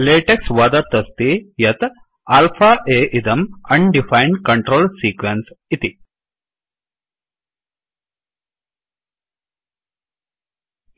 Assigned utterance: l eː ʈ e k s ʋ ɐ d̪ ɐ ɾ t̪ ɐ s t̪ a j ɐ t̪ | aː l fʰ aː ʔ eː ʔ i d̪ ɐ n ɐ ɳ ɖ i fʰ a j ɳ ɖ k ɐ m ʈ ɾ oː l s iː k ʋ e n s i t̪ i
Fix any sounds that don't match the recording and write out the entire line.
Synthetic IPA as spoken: l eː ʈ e k s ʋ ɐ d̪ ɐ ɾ t̪ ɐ s t̪ i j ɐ t̪ | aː l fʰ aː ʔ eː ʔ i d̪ ɐ m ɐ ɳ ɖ i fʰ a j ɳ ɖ k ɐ ɳ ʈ ɾ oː l s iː k ʋ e n s i t̪ i